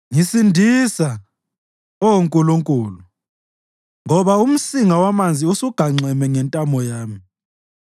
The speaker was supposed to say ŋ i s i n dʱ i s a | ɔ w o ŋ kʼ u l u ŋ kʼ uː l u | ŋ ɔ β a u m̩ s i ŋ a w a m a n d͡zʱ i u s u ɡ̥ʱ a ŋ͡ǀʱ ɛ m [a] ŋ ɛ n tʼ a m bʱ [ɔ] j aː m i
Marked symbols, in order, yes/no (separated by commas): no, yes